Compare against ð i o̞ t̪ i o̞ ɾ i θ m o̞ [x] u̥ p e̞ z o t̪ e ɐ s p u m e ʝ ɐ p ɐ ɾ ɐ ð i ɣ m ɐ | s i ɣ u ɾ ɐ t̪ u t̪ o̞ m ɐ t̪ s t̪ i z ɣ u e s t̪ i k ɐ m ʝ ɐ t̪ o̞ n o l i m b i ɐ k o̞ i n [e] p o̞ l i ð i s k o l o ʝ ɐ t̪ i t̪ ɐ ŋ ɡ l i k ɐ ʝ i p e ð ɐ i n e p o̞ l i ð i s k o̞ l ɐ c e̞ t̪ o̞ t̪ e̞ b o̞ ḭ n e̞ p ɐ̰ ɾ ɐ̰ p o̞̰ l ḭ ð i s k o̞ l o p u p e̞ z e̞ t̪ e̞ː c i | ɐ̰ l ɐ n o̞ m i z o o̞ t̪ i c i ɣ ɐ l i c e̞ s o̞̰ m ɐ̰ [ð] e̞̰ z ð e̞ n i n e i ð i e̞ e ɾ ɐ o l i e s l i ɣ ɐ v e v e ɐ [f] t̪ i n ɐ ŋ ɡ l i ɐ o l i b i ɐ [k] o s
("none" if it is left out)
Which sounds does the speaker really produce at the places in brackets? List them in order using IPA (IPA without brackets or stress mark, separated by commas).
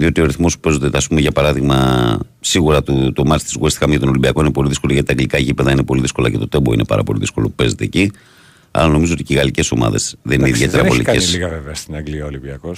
s, e, ð, s, k